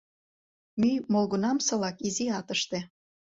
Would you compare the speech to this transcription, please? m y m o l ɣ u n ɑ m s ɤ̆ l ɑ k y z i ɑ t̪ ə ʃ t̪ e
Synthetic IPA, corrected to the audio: m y m o l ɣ u n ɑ m s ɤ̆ l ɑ k i z i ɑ t̪ ə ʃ t̪ e

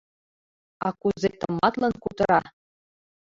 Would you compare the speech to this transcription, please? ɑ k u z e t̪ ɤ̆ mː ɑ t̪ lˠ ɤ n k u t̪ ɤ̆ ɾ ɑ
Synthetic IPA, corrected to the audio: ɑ k u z e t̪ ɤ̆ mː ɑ t̪ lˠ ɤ n k u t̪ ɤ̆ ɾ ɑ

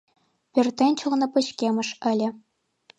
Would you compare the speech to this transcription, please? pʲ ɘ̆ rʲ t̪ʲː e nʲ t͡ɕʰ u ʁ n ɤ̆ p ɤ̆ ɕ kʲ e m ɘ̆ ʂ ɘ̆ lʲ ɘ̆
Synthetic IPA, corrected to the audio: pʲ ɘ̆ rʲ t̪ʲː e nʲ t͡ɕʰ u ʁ n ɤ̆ p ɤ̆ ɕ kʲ e m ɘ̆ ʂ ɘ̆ lʲ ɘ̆

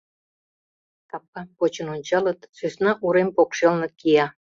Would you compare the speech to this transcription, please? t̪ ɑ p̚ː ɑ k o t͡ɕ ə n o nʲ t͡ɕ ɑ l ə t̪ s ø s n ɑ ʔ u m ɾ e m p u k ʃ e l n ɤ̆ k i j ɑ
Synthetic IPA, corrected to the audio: t̪ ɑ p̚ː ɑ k o t͡ɕ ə n o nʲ t͡ɕ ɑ l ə t̪ s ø s n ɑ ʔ u ɾ e m p o k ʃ e l n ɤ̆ k i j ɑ

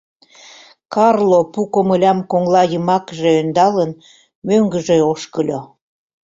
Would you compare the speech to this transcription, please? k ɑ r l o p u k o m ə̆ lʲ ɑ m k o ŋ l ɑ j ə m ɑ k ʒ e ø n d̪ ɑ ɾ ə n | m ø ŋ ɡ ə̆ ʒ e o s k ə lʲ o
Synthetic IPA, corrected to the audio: k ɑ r l o p u k o m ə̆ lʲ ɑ m k o ŋ l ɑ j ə m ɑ k ʒ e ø n d̪ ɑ l ə n | m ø ŋ ɡ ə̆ ʒ e o ʃ k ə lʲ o

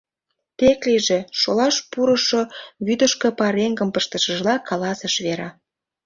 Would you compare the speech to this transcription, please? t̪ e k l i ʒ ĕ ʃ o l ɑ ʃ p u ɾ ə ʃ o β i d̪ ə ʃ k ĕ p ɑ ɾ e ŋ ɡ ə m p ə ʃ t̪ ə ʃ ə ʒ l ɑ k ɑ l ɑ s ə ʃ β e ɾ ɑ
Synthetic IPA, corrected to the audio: t̪ e k l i ʒ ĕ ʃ o l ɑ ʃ p u ɾ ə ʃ o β y d̪ ə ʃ k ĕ p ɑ ɾ e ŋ ɡ ə m p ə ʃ t̪ ə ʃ ə ʒ l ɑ k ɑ l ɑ s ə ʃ β e ɾ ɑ

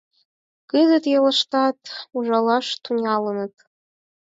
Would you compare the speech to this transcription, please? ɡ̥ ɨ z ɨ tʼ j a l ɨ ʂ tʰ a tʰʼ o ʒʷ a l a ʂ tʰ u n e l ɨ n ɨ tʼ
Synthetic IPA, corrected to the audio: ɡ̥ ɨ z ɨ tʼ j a l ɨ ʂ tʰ a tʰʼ u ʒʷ a l a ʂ tʰ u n a l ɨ n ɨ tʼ

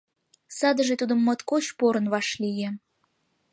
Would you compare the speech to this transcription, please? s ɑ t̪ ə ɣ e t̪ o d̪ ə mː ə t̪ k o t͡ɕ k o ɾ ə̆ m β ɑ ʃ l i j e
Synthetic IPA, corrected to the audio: s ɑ d̪ ə ʒ e t̪ u d̪ ə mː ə t̪ k o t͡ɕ p o ɾ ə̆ n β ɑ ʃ l i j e

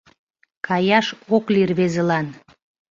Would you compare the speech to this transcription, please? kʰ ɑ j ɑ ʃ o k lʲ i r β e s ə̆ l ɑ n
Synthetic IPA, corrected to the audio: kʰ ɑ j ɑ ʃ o k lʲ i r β e z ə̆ l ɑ n

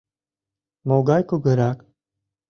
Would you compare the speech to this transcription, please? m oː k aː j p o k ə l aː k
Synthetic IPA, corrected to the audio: m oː ɡ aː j k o ɡ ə ɾ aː k

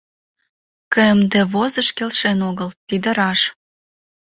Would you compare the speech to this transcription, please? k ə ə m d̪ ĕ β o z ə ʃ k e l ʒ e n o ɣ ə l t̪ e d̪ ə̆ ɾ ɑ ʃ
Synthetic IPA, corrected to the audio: k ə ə m d̪ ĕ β o z ə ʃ k e l ʃ e n o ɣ ə l t̪ i d̪ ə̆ ɾ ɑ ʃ

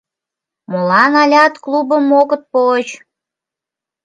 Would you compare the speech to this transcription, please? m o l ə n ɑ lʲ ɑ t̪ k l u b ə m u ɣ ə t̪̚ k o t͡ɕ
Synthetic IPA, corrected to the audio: m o l ɑ n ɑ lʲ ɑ t̪ k l u b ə m o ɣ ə t̪̚ p o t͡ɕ

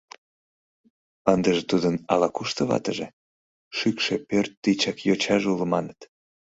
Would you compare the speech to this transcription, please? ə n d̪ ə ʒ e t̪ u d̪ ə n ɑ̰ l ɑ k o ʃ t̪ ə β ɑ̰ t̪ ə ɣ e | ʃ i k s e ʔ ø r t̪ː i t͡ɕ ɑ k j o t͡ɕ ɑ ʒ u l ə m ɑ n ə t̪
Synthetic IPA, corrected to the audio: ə n d̪ ə ʒ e t̪ u d̪ ə n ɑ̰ l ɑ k u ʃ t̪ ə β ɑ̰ t̪ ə ʒ e | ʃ y k ʃ e p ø r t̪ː i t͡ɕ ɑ k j o t͡ɕ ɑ ʒ u l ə m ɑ n ə t̪

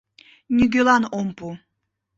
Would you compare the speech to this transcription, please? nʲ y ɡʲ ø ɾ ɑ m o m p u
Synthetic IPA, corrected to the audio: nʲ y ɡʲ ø l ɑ n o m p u

